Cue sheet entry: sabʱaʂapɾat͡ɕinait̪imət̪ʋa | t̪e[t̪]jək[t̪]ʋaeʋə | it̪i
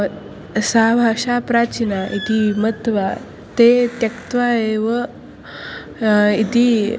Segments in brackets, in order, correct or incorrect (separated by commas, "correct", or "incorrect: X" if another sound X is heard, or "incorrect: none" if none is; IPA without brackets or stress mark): correct, correct